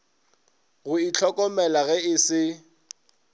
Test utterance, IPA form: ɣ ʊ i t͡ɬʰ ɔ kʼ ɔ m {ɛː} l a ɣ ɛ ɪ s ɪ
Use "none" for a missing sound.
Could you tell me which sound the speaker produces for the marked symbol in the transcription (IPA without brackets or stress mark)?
ɛ